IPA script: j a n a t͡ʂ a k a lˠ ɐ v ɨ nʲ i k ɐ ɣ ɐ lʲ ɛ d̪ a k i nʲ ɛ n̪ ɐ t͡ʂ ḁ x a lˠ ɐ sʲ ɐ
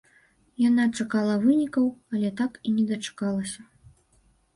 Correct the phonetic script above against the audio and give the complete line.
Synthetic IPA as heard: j a n a t͡ʂ a k a lˠ ɐ v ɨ nʲ i k ɐ w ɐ lʲ ɛ t̪ a k i nʲ ɛ d̪ ɐ t͡ʂ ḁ k a lˠ ɐ sʲ ɐ